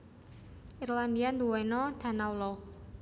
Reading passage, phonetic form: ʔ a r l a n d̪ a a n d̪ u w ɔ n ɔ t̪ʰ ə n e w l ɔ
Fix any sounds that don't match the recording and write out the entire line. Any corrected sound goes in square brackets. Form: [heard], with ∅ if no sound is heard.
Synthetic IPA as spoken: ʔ [i] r l a n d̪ [i] a n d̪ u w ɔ n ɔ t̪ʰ [a] n [a] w l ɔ